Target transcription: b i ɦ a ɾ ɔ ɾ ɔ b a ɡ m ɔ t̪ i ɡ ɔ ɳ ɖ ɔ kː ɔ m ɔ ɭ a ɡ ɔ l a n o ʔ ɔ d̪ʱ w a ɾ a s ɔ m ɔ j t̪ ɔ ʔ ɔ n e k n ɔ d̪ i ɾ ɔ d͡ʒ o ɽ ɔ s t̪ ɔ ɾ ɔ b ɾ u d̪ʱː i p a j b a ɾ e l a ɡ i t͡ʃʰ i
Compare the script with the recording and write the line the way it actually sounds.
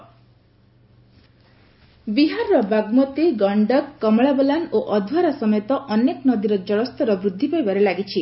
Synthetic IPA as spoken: b i ɦ a ɾ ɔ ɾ ɔ b a ɡ m ɔ t̪ i ɡ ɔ ɳ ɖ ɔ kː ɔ m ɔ ɭ a b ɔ l a n o ʔ ɔ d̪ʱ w a ɾ a s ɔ m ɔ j t̪ ɔ ʔ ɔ n e k n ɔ d̪ i ɾ ɔ d͡ʒ ɔ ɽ ɔ s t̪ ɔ ɾ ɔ b ɾ u d̪ʱː i p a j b a ɾ e l a ɡ i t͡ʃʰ i